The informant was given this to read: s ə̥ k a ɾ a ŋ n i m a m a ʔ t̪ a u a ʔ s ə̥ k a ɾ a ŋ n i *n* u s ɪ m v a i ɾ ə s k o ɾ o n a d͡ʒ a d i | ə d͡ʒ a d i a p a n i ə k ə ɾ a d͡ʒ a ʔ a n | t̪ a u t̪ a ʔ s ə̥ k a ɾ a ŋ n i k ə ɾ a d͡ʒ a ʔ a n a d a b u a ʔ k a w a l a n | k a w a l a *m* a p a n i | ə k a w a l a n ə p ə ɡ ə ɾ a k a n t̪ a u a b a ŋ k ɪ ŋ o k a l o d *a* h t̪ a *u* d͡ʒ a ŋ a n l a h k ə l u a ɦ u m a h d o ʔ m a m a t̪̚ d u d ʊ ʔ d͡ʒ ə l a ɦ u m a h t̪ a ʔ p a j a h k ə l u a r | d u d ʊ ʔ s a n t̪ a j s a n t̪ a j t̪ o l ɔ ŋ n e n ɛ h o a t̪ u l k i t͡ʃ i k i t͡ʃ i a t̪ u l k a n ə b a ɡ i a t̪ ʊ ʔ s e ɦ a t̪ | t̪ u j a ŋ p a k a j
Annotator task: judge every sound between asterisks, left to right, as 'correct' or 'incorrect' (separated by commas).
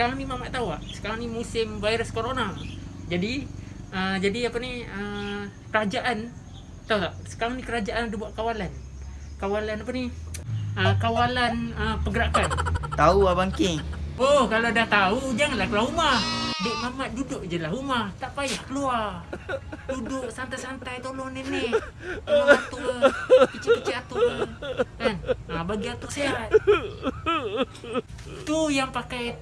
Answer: incorrect, incorrect, correct, correct